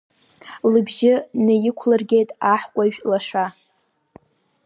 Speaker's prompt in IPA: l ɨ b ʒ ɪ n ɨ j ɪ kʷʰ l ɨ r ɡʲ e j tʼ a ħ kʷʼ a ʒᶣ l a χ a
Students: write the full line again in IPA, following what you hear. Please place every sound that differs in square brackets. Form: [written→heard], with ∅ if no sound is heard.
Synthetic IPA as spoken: l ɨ b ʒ ɪ n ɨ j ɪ kʷʰ l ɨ r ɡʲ e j tʼ a ħ kʷʼ a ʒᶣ l a [χ→ʂ] a